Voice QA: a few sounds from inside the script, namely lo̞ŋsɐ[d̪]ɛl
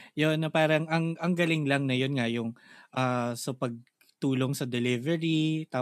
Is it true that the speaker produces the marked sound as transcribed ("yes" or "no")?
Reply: yes